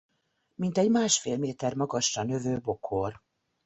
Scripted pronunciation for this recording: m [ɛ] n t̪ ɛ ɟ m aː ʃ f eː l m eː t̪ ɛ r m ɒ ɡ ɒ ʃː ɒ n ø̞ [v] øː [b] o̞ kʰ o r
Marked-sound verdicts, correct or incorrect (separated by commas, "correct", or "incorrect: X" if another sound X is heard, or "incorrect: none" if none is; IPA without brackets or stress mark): incorrect: i, correct, correct